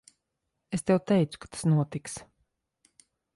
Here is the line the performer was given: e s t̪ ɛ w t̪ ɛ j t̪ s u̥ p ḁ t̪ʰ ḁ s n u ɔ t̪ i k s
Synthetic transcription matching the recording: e s t̪ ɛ w t̪ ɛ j t̪ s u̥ k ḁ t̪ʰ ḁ s n u ɔ t̪ i k s